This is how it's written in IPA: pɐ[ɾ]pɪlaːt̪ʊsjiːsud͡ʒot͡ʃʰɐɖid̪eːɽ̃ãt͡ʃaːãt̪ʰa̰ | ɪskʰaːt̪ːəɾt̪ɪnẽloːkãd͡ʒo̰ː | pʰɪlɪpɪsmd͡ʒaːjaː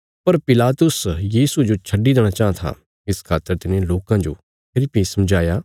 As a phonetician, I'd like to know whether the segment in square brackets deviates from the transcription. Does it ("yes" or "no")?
no